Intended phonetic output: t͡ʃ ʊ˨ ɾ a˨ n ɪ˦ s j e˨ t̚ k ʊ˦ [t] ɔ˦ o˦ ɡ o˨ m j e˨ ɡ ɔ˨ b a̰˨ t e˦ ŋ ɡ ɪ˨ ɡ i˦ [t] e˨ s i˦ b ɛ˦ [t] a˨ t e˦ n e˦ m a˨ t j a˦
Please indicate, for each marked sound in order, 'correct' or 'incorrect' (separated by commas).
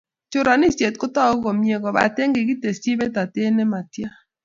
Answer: correct, correct, correct